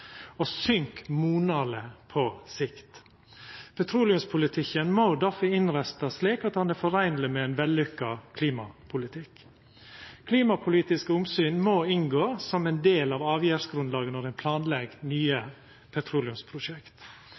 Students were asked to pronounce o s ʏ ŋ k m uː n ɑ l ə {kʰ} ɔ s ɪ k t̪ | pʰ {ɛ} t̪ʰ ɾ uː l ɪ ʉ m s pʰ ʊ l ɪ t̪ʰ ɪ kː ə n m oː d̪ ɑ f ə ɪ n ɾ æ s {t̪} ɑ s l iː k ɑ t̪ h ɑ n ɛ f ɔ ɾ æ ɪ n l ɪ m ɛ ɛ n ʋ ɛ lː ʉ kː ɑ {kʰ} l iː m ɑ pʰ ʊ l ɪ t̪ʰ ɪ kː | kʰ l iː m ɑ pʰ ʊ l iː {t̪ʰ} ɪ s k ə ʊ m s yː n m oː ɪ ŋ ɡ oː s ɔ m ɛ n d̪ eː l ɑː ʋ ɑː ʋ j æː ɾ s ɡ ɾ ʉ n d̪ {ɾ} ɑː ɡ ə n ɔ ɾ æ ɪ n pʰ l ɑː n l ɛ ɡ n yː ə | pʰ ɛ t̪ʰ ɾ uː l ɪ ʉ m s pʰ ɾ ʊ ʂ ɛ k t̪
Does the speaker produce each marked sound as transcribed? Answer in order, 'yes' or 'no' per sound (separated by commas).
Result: no, yes, yes, yes, no, no